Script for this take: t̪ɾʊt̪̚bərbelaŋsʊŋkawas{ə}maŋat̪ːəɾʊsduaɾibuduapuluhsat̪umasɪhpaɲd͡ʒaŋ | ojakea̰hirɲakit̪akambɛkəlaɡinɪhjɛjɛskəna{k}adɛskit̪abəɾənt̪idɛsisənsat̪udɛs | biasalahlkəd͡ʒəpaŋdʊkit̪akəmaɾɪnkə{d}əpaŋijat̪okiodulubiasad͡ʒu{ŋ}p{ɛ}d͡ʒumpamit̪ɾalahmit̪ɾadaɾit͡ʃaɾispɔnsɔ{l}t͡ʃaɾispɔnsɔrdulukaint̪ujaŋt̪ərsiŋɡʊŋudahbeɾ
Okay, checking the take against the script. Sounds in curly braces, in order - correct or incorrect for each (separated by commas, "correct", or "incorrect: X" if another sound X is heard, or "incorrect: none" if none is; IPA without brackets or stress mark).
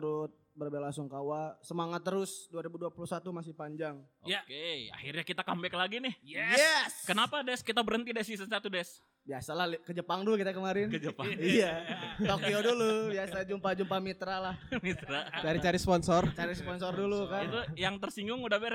correct, incorrect: p, incorrect: d͡ʒ, incorrect: m, incorrect: a, incorrect: r